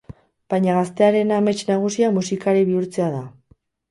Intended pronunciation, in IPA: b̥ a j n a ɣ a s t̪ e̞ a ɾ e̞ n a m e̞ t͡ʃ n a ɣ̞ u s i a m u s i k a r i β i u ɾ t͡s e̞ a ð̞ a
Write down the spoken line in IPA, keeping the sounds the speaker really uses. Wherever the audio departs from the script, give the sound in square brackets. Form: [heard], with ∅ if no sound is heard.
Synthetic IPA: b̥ a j [ɲ] a ɣ a s t̪ e̞ a ɾ e̞ n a m e̞ t͡ʃ n a ɣ̞ u s i a m u s i k a [ɾ] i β i u ɾ t͡s e̞ a ð̞ a